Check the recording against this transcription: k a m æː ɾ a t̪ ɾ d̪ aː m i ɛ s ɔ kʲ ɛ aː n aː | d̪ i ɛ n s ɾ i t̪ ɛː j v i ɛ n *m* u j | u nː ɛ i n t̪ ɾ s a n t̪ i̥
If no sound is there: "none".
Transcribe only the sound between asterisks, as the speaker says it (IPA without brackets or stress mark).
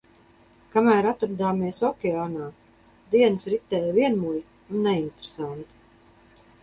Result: m